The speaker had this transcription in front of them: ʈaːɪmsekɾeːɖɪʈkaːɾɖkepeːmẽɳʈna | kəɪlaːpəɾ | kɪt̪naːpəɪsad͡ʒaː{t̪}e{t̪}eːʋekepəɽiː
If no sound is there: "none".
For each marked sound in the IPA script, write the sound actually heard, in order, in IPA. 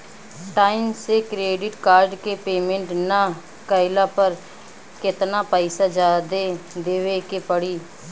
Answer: d̪, d̪

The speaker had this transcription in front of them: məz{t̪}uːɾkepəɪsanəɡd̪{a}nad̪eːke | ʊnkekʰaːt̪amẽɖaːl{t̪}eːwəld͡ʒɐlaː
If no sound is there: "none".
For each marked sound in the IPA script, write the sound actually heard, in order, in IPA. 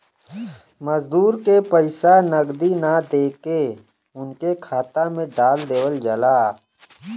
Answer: d̪, i, d̪

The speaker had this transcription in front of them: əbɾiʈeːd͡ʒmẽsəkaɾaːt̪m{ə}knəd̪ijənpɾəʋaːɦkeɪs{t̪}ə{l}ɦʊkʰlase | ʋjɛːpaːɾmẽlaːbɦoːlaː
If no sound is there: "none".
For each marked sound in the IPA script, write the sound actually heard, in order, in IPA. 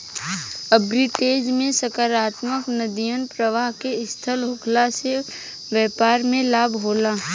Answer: ə, t̪ʰ, l

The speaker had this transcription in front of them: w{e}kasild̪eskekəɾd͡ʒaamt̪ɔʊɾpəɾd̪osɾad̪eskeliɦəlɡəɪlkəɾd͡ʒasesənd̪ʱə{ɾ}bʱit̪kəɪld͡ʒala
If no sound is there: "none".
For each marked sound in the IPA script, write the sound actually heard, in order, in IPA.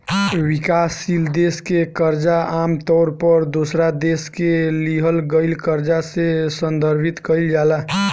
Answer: i, ɾ

